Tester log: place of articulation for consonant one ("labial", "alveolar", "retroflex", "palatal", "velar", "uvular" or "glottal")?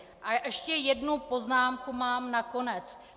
glottal